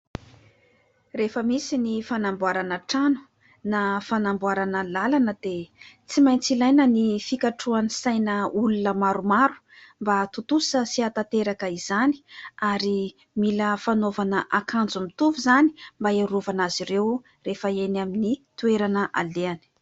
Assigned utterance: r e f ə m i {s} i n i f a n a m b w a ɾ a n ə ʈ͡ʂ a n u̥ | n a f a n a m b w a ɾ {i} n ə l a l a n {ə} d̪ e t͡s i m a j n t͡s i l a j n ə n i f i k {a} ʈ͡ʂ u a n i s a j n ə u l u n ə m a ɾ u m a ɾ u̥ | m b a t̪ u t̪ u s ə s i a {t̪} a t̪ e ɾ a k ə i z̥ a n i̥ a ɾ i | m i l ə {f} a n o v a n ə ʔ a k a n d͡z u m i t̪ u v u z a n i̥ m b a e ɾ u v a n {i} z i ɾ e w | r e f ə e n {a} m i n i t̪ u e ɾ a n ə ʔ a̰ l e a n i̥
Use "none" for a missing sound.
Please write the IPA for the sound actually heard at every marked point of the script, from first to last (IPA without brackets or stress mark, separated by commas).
s, a, ə, a, t̪, f, a, a